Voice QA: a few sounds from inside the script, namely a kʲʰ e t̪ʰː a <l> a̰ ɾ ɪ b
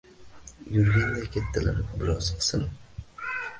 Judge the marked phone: correct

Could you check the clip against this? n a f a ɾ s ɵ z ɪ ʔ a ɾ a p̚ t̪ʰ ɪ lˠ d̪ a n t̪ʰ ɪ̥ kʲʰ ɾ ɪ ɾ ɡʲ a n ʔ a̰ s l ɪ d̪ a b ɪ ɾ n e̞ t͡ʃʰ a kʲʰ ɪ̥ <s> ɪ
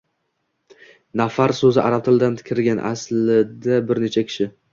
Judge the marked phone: incorrect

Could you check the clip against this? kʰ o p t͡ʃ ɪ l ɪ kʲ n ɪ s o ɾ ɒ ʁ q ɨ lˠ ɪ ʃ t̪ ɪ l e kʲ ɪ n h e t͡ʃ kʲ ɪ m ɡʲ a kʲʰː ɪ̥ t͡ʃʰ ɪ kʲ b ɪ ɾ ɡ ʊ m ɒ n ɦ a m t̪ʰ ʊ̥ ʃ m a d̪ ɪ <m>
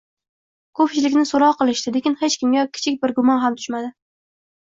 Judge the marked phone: incorrect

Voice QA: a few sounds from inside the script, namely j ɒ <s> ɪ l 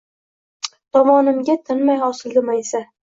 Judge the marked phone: correct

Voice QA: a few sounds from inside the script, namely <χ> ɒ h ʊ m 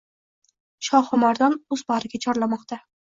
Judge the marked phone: incorrect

